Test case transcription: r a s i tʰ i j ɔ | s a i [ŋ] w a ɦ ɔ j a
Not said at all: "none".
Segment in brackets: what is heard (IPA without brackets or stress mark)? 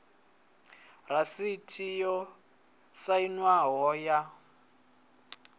n